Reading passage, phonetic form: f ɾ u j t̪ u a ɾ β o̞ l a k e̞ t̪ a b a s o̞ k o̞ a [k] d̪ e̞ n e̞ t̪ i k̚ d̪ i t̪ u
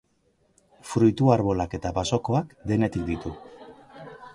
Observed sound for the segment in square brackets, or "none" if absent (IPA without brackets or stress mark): k